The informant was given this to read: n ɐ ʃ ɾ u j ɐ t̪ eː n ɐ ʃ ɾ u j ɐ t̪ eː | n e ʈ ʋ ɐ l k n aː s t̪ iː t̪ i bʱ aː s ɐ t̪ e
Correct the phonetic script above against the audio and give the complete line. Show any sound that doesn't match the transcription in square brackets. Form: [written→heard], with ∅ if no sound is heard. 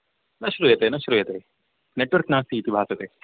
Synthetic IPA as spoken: n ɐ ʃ ɾ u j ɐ t̪ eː n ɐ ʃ ɾ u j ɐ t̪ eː | n e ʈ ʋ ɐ [l→ɾ] k n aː s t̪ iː t̪ i bʱ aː s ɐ t̪ e